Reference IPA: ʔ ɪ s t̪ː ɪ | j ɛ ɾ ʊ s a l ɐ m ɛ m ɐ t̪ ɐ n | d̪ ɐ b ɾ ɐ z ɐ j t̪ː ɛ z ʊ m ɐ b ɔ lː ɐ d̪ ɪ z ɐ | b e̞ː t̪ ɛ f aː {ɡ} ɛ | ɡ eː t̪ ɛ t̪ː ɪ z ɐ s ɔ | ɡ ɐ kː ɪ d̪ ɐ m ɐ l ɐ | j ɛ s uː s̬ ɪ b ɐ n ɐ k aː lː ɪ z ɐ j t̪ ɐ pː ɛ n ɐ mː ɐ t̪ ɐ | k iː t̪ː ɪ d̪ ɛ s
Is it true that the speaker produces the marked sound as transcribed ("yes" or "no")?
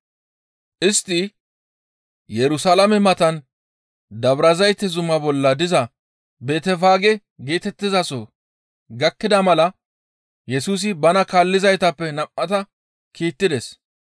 yes